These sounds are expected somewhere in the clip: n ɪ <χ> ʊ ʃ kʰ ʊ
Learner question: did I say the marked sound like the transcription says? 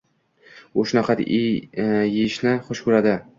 yes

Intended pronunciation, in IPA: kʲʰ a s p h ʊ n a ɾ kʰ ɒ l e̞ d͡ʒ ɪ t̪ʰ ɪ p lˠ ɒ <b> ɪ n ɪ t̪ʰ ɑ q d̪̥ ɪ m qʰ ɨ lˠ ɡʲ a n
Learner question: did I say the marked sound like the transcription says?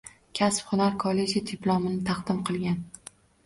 no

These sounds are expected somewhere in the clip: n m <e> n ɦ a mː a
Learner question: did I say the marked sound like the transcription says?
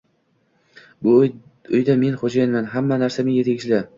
no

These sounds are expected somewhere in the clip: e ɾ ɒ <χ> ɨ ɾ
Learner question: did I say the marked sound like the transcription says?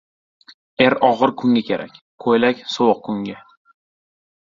no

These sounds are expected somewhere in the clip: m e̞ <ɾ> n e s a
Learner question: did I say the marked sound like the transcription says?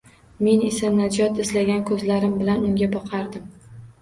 no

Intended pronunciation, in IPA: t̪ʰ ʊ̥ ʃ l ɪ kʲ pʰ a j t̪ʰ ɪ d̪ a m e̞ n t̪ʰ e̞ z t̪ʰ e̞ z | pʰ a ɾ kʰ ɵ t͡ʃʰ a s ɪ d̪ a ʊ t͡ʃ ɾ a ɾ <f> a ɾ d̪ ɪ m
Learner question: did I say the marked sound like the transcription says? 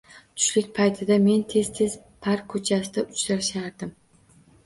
no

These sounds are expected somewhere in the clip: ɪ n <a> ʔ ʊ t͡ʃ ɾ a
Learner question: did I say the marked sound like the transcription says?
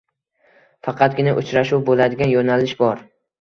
yes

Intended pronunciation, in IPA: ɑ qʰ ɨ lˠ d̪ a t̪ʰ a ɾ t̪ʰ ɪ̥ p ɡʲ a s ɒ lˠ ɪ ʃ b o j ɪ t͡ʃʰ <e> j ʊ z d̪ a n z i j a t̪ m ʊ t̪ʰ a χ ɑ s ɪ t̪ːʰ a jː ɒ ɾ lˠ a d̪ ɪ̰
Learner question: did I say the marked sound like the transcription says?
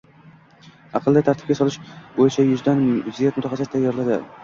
no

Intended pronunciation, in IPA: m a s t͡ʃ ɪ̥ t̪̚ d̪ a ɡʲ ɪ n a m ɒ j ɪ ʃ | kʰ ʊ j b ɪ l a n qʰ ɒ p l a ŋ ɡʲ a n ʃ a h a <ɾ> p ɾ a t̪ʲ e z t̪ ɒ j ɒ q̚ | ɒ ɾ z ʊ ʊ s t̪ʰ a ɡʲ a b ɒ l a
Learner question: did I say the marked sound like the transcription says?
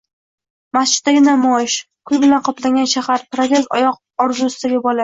yes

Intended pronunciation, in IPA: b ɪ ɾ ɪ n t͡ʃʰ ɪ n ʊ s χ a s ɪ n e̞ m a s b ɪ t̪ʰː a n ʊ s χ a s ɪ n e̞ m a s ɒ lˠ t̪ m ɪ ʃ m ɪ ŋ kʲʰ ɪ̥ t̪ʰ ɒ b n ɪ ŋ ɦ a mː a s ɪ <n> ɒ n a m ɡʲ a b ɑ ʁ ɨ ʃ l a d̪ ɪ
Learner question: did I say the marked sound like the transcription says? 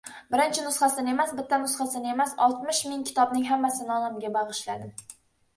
yes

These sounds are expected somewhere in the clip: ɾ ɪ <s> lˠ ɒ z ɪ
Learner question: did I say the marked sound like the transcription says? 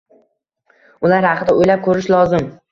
no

